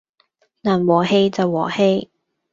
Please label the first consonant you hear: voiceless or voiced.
voiced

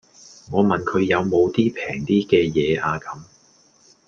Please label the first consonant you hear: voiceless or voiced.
voiced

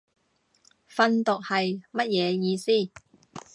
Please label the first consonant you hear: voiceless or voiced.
voiceless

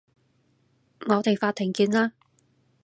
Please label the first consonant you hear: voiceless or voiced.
voiced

